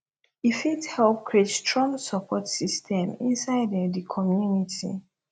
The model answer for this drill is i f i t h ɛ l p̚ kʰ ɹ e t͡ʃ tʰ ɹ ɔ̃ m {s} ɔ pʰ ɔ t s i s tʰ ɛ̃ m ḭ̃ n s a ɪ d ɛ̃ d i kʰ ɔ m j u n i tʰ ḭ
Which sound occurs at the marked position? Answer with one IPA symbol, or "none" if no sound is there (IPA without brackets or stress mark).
s